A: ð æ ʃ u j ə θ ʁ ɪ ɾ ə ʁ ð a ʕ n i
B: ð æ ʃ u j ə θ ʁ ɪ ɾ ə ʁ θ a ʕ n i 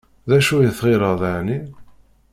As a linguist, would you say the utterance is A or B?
A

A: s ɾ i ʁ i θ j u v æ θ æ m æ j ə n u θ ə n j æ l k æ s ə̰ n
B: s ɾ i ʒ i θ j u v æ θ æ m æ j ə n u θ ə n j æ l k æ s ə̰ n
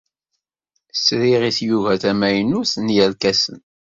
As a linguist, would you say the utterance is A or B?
A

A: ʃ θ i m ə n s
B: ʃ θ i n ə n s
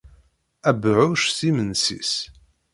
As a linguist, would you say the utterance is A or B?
A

